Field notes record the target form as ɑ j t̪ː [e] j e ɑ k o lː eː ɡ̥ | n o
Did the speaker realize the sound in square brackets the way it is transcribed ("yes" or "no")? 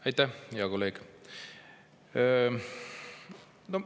no